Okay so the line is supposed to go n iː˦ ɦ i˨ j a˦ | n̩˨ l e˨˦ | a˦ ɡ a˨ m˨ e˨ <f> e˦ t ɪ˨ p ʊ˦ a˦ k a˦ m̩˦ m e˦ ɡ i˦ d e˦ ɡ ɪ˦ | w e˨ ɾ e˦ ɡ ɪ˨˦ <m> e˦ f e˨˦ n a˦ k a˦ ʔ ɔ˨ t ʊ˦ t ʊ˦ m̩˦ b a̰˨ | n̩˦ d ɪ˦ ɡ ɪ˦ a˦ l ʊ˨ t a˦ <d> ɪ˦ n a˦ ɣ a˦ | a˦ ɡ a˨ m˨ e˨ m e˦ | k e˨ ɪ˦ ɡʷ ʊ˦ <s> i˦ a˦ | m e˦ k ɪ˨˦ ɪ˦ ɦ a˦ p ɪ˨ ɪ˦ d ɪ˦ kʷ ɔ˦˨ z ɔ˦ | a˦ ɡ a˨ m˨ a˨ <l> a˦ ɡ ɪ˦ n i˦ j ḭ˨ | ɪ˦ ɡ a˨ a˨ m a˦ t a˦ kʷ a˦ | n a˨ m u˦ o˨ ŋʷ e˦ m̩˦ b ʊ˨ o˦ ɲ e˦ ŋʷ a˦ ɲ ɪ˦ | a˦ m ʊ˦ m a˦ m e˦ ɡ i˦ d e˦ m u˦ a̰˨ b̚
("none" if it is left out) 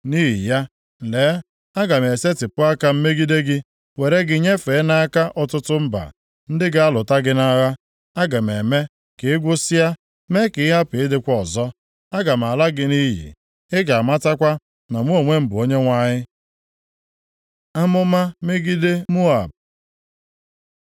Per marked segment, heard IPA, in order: s, ɲ, ɡ, s, l

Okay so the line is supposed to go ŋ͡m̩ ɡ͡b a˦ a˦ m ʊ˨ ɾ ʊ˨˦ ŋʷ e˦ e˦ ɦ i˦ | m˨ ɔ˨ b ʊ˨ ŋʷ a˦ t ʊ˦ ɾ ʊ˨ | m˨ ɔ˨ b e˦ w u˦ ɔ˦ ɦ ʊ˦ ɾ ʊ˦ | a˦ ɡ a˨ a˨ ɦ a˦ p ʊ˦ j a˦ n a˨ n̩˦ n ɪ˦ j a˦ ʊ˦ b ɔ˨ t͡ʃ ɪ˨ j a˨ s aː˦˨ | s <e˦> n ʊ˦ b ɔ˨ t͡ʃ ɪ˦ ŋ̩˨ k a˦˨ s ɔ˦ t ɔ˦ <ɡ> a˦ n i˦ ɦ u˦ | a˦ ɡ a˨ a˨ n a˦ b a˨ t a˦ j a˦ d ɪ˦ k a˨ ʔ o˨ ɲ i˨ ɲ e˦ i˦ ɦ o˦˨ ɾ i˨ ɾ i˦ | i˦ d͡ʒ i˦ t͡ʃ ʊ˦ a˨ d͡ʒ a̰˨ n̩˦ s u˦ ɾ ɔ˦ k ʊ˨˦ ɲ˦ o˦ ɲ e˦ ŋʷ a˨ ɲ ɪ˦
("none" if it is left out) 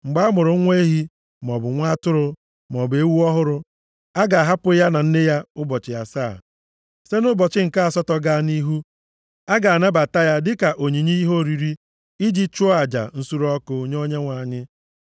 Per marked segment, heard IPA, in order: e˦, ɡ

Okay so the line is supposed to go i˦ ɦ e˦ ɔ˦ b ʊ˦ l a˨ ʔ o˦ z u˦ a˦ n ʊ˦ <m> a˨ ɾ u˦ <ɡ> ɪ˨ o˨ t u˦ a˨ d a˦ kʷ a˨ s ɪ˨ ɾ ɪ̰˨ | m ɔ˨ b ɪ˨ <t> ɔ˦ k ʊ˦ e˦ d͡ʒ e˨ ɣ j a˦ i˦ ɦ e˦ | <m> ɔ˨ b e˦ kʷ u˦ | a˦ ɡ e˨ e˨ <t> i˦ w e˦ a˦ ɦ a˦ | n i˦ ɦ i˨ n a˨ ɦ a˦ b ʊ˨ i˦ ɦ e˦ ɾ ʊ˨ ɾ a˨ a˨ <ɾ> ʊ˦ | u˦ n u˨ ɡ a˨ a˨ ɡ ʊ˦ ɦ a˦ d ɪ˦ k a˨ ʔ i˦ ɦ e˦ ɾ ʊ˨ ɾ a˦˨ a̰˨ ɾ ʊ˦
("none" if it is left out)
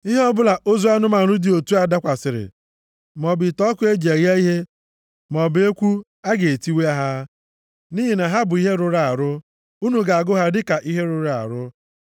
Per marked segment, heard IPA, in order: m, d, t, m, t, ɾ

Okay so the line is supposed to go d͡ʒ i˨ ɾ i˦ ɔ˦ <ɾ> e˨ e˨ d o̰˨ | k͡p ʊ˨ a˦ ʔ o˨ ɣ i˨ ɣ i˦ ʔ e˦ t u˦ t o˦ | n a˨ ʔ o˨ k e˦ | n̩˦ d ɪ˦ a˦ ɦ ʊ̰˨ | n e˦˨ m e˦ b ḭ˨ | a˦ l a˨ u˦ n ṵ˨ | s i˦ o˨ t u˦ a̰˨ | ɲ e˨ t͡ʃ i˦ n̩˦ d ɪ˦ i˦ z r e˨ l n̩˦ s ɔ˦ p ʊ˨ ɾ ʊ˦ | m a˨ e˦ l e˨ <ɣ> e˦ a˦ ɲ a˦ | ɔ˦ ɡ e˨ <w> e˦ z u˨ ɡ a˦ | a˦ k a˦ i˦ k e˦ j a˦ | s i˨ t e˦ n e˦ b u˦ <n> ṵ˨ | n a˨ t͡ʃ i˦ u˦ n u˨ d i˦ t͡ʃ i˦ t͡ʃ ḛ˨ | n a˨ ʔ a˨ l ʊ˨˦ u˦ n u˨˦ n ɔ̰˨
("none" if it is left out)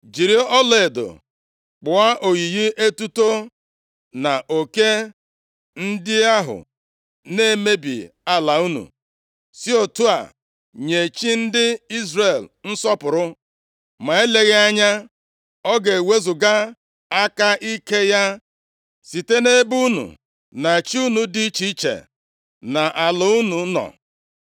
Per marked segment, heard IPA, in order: l, ɣ, w, n

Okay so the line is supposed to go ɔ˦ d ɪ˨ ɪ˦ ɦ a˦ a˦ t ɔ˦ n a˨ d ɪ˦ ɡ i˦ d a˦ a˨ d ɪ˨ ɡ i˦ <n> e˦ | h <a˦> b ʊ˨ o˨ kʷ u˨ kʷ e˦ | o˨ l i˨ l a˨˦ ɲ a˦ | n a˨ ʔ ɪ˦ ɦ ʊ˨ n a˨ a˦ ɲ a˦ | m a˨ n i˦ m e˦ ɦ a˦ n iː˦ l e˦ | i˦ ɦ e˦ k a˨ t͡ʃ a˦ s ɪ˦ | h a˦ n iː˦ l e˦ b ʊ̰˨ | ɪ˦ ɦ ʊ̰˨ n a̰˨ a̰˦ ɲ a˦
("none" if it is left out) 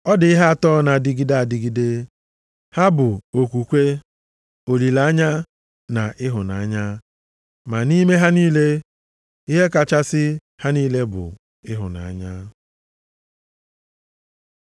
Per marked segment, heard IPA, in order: d, a˦

